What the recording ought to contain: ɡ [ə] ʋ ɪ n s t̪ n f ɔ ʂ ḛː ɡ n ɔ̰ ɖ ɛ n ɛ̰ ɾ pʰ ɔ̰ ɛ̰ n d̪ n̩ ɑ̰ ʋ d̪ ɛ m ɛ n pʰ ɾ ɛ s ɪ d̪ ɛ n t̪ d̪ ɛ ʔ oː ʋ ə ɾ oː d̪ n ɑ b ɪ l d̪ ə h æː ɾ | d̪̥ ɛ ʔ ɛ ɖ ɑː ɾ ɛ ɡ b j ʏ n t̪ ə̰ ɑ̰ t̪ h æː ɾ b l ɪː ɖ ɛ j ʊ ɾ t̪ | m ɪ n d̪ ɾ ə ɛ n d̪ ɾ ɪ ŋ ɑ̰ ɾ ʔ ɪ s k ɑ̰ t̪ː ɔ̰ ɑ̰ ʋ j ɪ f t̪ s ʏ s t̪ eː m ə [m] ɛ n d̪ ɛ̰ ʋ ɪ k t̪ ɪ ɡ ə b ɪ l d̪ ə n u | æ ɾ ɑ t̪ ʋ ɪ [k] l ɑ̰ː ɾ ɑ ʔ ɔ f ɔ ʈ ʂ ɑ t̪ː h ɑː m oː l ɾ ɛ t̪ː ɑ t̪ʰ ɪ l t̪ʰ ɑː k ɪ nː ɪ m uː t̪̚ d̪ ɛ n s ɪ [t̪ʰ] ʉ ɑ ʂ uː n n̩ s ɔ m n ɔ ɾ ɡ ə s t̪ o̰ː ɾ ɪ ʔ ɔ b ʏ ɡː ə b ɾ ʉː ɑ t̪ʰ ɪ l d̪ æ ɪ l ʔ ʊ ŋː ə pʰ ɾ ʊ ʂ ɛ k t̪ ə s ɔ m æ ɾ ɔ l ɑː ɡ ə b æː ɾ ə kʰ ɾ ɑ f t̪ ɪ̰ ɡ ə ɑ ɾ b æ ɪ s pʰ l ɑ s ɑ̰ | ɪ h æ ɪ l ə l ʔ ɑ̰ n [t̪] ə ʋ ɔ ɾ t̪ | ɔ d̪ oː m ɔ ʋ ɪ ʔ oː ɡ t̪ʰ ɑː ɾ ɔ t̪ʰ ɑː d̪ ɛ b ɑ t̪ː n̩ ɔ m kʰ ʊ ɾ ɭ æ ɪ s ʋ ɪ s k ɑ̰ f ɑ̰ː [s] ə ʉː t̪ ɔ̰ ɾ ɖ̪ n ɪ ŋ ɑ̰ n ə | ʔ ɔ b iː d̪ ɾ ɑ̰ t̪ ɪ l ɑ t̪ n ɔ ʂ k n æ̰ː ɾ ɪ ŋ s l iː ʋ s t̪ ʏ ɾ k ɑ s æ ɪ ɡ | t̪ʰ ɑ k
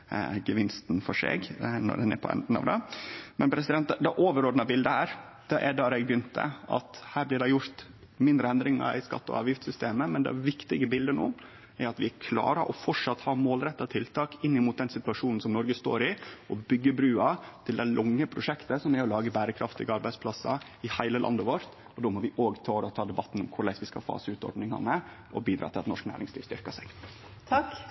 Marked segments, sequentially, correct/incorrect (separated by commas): correct, correct, incorrect, incorrect, incorrect, correct